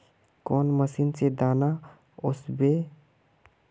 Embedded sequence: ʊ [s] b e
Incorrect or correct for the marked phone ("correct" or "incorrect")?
correct